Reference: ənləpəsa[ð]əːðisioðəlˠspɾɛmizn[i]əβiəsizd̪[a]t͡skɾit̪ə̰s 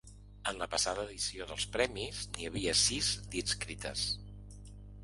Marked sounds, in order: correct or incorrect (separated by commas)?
correct, correct, incorrect